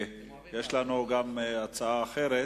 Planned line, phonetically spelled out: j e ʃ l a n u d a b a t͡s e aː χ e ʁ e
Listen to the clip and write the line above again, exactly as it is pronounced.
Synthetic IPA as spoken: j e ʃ l a n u ɡ a m a t͡s a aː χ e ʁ e

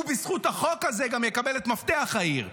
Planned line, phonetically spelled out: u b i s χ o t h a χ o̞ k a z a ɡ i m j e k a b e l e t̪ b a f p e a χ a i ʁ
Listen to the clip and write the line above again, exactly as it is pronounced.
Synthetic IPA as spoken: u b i s χ u t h a χ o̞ k a z e ɡ a m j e k a b e l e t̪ m a f t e a χ a i ʁ

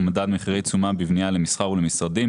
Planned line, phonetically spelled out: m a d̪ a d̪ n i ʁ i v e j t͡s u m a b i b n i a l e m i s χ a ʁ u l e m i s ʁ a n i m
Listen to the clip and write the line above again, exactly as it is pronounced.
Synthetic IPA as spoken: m a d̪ a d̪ m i χ i ʁ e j t͡s u m a b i v n i a l e m i s χ a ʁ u l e m i s ʁ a d i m

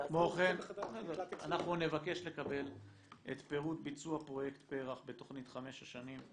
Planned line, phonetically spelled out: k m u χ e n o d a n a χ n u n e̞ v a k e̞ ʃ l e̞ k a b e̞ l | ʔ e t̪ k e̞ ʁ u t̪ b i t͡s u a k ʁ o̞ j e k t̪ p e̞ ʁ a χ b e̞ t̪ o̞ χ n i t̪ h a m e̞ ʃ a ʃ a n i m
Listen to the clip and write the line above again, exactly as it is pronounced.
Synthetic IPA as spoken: k m o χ e n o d a n a χ n u n e̞ v a k e̞ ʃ l e̞ k a b e̞ l | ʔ e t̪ p e̞ ʁ u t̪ b i t͡s u a p ʁ o̞ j e k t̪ p e̞ ʁ a χ b e̞ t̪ o̞ χ n i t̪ χ a m e̞ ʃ a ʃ a n i m

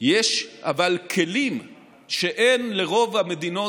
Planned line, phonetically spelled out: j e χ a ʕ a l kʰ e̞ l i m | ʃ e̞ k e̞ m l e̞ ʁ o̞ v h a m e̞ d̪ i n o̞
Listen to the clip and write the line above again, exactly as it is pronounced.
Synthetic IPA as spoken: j e ʃ a v a l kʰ e̞ l i m | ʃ e̞ ʔ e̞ n l e̞ ʁ o̞ v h a m e̞ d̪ i n o̞

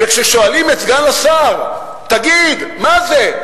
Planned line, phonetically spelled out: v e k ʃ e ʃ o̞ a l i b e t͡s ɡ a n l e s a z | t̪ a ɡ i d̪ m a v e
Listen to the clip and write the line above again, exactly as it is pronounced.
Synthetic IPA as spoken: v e k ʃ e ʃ o̞ a l i m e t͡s ɡ a n l a s a ʁ | t̪ a ɡ i d̪ m a z e

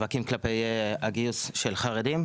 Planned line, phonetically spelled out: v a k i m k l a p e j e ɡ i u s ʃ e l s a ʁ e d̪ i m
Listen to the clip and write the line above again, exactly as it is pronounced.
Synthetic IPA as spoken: v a k i m k l a p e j a ɡ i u s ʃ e l χ a ʁ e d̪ i m

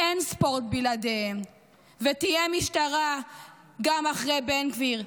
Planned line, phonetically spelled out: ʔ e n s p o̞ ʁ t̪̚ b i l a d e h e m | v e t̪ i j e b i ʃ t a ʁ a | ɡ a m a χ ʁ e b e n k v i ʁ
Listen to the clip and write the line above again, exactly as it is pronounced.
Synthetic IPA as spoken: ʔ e n s p o̞ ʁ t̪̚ b i l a d e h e m | v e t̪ i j e m i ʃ t a ʁ a | ɡ a m a χ ʁ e b e n k v i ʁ

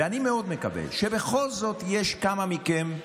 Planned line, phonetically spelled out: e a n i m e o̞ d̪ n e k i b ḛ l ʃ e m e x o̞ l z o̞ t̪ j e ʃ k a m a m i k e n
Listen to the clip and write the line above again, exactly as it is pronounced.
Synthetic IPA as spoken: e a n i m e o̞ d̪ m e k a b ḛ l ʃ e b e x o̞ l z o̞ t̪ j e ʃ k a m a m i k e m

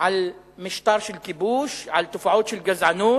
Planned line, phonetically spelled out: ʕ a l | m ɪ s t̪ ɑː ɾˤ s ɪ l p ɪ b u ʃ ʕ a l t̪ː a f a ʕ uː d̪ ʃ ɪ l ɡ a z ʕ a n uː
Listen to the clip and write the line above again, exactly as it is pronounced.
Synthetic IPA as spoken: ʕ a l | m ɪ ʃ t̪ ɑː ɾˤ ʃ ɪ l k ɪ b uː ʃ ʕ a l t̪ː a f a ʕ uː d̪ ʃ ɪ l ɡ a z ʕ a n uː

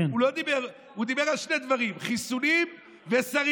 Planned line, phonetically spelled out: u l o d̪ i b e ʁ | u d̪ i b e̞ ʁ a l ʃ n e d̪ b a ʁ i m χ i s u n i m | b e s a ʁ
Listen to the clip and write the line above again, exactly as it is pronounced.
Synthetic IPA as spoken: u l o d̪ i b e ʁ | u d̪ i b e̞ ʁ a l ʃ n e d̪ v a ʁ i m χ i s u n i m | v e s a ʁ

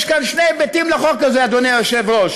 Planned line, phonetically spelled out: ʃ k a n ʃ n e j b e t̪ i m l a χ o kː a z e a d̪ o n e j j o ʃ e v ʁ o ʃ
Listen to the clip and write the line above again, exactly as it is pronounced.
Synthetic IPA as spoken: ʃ k a n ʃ n e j b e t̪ i m l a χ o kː a z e a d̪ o n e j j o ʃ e v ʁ o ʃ

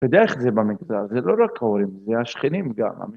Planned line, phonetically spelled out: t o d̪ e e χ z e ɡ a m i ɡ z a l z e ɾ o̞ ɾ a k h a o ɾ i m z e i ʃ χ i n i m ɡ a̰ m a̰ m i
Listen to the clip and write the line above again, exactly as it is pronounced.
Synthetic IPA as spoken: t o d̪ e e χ z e b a m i ɡ z a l z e l o̞ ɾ a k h a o ɾ i m z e a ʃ χ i n i m ɡ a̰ m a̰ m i

